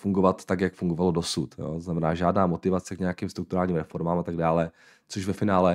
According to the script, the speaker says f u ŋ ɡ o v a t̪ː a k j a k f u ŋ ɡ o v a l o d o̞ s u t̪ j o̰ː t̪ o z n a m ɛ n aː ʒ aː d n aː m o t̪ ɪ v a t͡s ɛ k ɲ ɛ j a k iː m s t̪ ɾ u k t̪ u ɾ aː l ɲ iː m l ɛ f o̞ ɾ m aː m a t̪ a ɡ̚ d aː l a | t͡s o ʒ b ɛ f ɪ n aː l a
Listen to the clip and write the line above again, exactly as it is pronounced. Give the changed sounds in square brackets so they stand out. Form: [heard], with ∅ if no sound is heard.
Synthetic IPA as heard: f u ŋ ɡ o v a t̪ː a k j a k f u ŋ ɡ o v a l o d o̞ s u t̪ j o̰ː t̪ o z n a m ɛ n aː ʒ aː d n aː m o t̪ ɪ v a t͡s ɛ k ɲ ɛ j a k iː m s t̪ ɾ u k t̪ u ɾ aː l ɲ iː m [ɾ] ɛ f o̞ ɾ m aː m a t̪ a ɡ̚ d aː l [ɛ] | t͡s o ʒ [v] ɛ f ɪ n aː l [ɛ]